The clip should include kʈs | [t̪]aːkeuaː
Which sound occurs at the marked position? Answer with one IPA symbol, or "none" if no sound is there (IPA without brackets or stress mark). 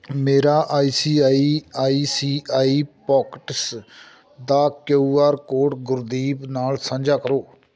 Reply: d̪